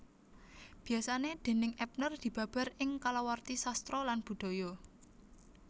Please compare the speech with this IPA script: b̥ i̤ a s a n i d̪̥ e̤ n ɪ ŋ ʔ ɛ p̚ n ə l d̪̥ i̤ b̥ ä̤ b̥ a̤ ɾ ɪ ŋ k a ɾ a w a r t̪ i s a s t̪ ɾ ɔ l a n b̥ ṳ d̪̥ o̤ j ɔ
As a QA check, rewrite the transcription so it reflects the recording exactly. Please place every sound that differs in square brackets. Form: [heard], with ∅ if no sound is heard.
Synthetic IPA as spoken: b̥ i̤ a s a n [e] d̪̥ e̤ n ɪ ŋ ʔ ɛ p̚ n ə [r] d̪̥ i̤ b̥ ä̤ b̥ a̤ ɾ ɪ ŋ k a [l] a w a r t̪ i s a s t̪ ɾ ɔ l a n b̥ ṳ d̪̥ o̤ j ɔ